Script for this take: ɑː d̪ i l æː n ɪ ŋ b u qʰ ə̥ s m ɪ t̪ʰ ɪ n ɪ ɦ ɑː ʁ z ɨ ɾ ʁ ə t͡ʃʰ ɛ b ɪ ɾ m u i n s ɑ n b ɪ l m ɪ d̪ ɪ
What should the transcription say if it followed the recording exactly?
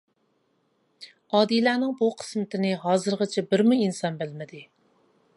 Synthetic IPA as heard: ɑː d̪ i l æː n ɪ ŋ b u qʰ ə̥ s m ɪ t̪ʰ ɪ n ɪ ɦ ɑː z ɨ ɾ ʁ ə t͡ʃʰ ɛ b ɪ ɾ m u i n s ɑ n b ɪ l m ɪ d̪ ɪ